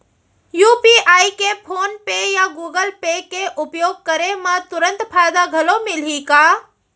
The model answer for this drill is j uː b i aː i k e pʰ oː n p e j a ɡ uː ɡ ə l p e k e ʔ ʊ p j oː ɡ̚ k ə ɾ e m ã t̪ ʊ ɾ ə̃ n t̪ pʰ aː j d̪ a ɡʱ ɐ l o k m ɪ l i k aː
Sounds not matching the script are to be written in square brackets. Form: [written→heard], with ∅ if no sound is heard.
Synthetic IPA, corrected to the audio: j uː [b→p] i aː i k e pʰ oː n p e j a ɡ uː ɡ ə l p e k e ʔ ʊ p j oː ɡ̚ k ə ɾ e m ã t̪ ʊ ɾ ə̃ n t̪ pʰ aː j d̪ a ɡʱ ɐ l o [k→∅] m ɪ l i k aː